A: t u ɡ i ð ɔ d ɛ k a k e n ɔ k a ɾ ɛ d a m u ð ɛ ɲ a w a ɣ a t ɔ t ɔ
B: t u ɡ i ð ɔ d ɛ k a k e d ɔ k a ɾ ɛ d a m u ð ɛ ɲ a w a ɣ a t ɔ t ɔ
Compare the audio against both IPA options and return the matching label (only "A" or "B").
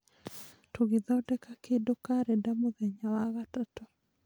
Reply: B